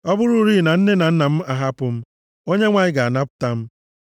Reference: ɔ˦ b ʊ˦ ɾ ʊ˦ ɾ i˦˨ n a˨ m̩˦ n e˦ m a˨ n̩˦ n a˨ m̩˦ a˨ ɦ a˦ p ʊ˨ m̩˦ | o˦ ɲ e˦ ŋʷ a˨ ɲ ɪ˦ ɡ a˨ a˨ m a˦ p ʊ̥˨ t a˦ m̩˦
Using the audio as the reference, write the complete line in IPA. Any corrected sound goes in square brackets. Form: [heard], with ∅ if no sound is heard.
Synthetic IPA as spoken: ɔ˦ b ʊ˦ ɾ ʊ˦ ɾ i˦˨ n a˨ [n̩˦] n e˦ [n] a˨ n̩˦ n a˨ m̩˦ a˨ ɦ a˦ p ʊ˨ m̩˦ | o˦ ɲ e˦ ŋʷ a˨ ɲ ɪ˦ ɡ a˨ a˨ [n] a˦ p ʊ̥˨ t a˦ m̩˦